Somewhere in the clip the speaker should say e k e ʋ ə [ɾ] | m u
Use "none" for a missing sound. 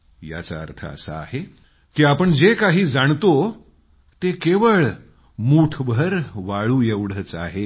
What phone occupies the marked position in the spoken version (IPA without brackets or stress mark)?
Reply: ɭ